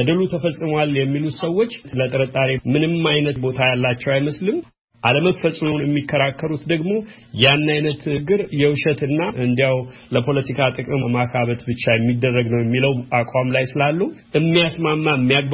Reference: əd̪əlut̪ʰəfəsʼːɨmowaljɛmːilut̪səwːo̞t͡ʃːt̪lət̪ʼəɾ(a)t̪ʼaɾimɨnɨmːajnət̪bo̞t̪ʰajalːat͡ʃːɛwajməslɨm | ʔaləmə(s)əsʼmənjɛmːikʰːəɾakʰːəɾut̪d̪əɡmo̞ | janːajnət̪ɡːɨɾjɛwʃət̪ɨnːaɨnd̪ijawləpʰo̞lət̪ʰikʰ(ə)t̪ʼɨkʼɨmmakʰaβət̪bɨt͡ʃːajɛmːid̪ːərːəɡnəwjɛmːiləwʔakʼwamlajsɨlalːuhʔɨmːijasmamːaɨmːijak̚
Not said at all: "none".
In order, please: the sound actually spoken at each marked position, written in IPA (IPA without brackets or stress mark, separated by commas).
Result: ə, f, a